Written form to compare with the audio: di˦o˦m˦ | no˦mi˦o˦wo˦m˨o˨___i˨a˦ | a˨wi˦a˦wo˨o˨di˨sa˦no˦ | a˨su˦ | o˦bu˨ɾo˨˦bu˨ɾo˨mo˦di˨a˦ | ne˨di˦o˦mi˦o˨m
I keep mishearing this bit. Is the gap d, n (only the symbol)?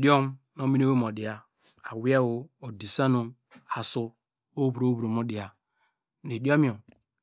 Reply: d